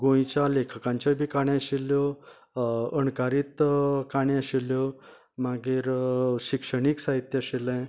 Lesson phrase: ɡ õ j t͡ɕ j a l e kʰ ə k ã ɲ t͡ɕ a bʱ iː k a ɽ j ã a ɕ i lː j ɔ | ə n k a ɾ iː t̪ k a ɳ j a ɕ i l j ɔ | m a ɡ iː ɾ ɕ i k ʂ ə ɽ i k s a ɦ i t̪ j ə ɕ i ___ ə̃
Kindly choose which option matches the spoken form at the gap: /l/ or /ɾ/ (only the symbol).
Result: l